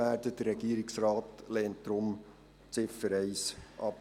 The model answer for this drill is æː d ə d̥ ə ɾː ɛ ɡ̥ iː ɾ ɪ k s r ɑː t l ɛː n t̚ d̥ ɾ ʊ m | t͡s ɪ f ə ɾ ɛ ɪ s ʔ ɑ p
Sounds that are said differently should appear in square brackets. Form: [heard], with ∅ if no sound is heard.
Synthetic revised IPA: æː d ə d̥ ə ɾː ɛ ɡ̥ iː ɾ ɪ k s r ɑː t l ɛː n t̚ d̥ ɾ ʊ m | t͡s ɪ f ə ɾ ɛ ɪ s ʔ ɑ p